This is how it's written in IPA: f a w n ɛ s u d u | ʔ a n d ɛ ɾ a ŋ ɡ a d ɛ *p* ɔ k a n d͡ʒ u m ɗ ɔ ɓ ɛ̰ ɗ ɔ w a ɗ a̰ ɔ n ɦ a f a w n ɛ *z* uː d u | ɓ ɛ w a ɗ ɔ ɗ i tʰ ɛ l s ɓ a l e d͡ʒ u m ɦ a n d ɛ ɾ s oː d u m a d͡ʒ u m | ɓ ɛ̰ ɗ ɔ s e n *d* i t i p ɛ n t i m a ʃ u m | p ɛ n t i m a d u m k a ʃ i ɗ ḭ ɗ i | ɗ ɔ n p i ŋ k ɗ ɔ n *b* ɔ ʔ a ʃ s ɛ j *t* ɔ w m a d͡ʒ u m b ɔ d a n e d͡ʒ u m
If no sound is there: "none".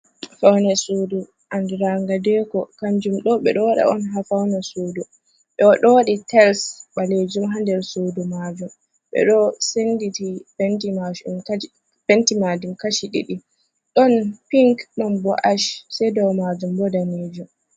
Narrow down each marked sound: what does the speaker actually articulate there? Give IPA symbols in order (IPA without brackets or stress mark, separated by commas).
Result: k, s, d, b, d